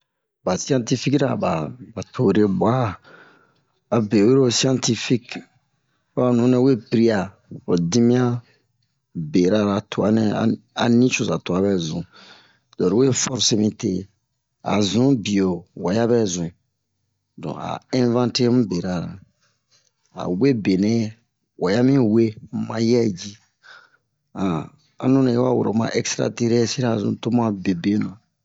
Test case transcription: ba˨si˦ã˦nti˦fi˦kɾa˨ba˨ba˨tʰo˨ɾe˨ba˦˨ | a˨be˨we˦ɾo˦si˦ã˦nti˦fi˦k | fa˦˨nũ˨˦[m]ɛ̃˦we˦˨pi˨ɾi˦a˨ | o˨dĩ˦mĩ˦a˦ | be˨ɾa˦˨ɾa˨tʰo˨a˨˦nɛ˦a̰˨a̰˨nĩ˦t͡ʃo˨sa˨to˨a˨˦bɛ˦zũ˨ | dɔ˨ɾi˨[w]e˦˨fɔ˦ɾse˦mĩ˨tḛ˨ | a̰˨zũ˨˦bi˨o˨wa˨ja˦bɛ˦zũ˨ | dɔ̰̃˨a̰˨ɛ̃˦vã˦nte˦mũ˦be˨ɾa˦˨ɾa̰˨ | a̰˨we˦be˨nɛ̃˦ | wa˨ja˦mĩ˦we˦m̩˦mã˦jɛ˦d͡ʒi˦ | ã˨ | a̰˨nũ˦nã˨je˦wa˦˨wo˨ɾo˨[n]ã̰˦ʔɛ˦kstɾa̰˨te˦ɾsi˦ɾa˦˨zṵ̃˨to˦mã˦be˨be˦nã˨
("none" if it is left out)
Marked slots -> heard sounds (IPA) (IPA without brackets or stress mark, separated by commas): n, w, m